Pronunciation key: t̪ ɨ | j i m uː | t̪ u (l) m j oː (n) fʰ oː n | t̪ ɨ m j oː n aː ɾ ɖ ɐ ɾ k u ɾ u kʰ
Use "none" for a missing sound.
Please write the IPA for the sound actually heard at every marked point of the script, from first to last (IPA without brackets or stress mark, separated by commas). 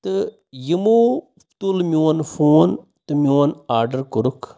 l, n